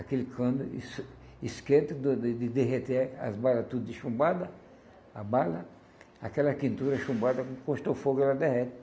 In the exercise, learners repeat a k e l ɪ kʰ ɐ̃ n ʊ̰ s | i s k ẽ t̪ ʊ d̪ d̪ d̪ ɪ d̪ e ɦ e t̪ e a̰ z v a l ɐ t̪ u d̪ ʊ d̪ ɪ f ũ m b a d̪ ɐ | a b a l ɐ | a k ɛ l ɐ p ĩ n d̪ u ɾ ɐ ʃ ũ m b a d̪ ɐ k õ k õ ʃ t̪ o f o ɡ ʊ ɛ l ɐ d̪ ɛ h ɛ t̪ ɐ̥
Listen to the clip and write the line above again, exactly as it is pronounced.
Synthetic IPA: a k e l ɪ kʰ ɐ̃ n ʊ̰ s | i s k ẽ t̪ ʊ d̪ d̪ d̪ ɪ d̪ e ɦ e t̪ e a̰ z b a l ɐ t̪ u d̪ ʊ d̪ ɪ ʃ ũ m b a d̪ ɐ | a b a l ɐ | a k ɛ l ɐ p ĩ n t̪ u ɾ ɐ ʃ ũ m b a d̪ ɐ k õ k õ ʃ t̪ o f o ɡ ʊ ɛ l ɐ d̪ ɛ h ɛ t̪ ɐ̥